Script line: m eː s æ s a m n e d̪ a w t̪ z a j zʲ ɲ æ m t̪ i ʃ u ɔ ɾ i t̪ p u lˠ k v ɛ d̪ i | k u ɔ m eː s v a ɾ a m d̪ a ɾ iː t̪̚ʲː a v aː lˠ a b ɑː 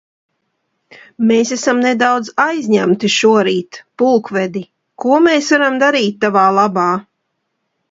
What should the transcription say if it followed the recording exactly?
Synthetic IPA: m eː s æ s a m n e d̪ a w d̪ z a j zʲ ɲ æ m t̪ i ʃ u ɔ ɾ iː t̪ p u lˠ k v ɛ d̪ i | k u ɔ m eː s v a ɾ a m d̪ a ɾ iː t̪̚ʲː a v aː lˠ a b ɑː